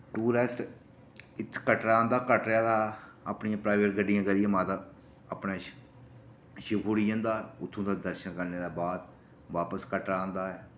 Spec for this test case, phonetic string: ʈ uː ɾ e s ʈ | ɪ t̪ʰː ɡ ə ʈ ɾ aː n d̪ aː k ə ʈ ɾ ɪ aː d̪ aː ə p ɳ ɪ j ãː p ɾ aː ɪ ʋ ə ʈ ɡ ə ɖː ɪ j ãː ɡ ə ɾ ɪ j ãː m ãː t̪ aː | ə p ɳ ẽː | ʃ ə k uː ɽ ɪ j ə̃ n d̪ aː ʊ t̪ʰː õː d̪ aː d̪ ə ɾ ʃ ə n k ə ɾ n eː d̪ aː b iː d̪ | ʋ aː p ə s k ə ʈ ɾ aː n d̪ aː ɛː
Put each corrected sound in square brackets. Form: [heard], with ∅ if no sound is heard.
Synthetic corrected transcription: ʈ uː ɾ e s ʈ | ɪ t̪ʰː [k] ə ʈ ɾ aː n d̪ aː k ə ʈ ɾ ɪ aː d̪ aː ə p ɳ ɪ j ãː p ɾ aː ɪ ʋ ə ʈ ɡ ə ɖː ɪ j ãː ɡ ə ɾ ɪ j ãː m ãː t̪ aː | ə p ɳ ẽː | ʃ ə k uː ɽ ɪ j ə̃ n d̪ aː ʊ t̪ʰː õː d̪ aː d̪ ə ɾ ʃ ə n k ə ɾ n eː d̪ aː b [aː] d̪ | ʋ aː p ə s k ə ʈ ɾ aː n d̪ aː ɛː